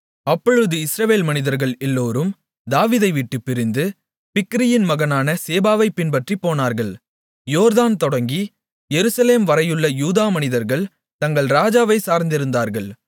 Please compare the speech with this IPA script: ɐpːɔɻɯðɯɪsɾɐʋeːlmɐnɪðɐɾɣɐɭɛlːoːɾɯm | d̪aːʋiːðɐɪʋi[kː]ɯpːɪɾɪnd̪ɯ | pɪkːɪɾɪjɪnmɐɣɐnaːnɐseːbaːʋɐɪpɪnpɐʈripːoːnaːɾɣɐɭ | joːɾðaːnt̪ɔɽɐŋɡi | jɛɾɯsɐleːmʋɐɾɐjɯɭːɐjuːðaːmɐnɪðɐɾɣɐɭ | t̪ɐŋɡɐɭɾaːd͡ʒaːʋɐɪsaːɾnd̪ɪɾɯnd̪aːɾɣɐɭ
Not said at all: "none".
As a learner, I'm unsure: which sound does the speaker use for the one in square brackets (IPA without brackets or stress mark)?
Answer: ʈː